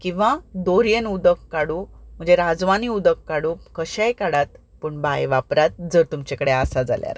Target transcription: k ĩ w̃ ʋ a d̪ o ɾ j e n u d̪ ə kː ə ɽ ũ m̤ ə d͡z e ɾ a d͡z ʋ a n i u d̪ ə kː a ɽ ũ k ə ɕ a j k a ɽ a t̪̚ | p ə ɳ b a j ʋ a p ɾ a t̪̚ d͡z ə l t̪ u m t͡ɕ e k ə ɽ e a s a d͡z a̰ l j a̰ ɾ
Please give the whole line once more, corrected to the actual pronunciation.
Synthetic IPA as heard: k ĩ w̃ ʋ a d̪ o ɾ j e n u d̪ ə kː a ɽ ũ m̤ ə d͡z e ɾ a d͡z ʋ a n i u d̪ ə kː a ɽ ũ k ə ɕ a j k a ɽ a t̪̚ | p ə ɳ b a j ʋ a p ɾ a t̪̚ d͡z ə ɾ t̪ u m t͡ɕ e k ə ɽ e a s a d͡z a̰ l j a̰ ɾ